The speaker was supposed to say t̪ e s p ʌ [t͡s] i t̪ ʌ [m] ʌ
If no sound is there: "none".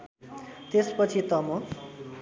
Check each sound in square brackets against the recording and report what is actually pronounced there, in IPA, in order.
t͡sʰ, m

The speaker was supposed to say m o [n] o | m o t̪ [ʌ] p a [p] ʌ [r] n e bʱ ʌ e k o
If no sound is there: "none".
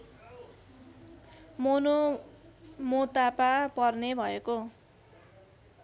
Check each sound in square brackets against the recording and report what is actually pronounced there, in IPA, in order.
n, a, p, r

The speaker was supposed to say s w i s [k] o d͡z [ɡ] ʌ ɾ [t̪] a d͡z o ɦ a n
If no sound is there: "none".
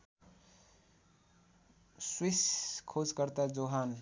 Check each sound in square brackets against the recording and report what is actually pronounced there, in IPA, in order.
kʰ, k, t̪

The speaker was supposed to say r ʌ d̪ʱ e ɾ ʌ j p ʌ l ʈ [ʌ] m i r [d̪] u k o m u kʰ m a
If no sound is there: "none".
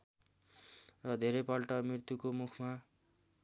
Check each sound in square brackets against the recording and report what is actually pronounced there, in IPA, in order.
ʌ, t̪

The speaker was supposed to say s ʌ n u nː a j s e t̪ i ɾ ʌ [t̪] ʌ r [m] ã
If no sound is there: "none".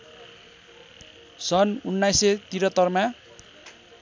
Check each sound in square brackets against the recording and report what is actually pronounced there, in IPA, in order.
t̪, m

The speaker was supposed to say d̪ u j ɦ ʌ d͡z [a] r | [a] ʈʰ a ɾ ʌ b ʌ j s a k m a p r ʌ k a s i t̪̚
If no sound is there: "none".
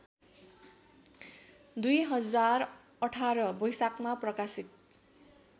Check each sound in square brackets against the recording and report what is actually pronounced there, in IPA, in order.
a, ʌ

